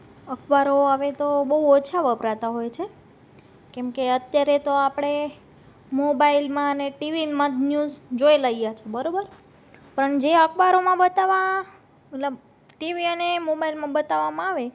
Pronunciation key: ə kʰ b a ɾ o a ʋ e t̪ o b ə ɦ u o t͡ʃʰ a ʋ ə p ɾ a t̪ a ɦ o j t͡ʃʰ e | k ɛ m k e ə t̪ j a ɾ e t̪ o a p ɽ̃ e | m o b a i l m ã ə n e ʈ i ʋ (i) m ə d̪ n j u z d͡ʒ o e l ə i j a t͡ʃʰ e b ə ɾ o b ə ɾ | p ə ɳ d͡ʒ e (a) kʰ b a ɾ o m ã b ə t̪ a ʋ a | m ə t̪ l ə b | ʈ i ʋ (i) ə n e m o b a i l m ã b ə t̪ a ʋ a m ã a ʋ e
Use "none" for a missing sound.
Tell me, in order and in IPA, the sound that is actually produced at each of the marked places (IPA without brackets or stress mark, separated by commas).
i, ə, i